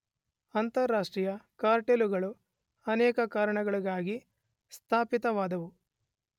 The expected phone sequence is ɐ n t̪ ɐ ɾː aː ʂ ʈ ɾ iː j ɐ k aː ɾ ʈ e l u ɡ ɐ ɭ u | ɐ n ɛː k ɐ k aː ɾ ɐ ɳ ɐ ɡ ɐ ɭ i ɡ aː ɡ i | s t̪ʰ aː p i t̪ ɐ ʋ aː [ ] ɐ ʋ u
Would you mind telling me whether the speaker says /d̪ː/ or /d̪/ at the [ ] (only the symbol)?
d̪